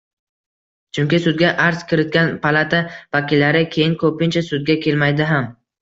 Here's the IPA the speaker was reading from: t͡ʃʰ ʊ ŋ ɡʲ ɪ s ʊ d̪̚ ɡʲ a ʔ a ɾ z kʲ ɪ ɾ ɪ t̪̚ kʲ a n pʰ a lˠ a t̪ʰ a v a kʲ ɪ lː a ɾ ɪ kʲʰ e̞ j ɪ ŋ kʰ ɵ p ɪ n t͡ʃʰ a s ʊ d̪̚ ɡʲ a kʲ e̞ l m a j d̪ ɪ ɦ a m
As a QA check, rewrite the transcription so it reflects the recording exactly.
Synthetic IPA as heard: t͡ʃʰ ʊ ŋ kʲ ɪ s ʊ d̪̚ ɡʲ a ʔ a ɾ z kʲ ɪ ɾ ɪ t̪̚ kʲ a n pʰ a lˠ a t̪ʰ a v a kʲ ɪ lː a ɾ ɪ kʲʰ e̞ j ɪ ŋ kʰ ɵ p ɪ n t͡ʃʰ a s ʊ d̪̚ ɡʲ a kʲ e̞ l m a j d̪ ɪ ɦ a m